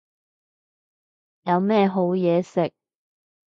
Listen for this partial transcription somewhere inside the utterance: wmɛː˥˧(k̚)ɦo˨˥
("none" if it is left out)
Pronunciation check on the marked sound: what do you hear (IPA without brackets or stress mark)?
none